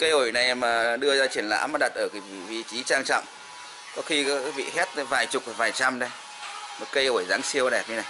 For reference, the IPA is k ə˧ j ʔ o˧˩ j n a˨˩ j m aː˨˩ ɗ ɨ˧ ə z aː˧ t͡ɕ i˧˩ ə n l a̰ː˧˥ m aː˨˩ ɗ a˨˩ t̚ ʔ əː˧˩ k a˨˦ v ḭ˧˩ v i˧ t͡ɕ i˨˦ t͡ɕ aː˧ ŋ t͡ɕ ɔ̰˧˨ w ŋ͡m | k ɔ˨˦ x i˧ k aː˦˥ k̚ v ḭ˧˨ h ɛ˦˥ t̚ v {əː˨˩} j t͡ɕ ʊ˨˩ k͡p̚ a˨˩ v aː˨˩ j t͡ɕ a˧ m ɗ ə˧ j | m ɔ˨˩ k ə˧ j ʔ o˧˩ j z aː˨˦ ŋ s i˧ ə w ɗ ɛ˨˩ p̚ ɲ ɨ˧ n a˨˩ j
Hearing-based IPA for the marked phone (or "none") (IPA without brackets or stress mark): aː˨˩